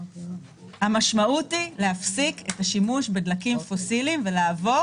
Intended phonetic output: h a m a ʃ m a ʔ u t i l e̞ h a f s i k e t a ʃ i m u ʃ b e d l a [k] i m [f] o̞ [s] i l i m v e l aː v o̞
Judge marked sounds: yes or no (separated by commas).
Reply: yes, yes, yes